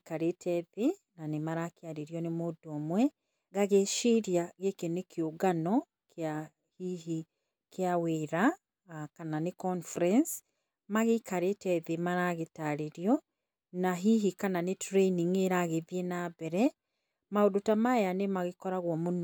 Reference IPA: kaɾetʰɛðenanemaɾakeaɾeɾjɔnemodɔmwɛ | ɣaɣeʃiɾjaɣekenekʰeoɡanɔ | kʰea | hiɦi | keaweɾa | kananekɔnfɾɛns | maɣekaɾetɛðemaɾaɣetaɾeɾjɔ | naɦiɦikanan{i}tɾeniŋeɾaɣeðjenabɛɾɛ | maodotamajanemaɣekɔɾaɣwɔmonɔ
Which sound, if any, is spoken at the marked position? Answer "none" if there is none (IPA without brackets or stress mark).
e